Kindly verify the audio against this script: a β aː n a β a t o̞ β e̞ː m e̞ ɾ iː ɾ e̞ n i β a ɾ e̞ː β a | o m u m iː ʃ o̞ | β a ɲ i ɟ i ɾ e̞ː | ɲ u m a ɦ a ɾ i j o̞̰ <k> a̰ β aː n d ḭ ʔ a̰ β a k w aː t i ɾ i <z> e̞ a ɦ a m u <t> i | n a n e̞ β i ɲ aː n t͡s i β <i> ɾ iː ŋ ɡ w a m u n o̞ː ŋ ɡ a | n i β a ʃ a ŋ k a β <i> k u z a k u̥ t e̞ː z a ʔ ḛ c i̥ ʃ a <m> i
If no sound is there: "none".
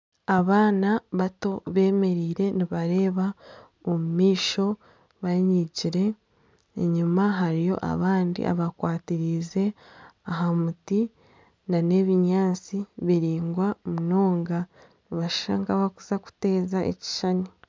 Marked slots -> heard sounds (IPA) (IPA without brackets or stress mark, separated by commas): ʔ, z, t, i, a, n